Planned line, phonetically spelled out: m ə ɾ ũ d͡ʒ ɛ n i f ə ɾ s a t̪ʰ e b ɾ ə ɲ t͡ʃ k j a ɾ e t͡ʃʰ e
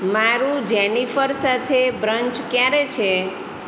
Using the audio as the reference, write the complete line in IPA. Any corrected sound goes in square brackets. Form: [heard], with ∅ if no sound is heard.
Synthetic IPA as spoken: m [a] ɾ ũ d͡ʒ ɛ n i f ə ɾ s a t̪ʰ e b ɾ ə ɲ t͡ʃ k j a ɾ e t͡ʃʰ e